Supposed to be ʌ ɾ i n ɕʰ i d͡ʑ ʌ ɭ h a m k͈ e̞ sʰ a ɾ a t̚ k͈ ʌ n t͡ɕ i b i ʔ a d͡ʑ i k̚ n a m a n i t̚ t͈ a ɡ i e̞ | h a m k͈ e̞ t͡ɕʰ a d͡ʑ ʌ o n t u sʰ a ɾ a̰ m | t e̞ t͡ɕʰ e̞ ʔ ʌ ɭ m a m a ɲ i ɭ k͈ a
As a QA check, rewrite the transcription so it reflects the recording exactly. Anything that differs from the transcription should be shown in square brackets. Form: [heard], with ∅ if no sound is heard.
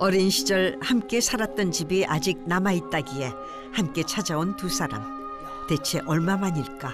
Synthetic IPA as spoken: ʌ ɾ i n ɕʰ i d͡ʑ ʌ ɭ h a m k͈ e̞ sʰ a ɾ a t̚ [t͈] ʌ n t͡ɕ i b i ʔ a d͡ʑ i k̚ n a m a [∅] i t̚ t͈ a ɡ i e̞ | h a m k͈ e̞ t͡ɕʰ a d͡ʑ [a] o n t u sʰ a ɾ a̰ m | t e̞ t͡ɕʰ e̞ ʔ ʌ ɭ m a m a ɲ i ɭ k͈ a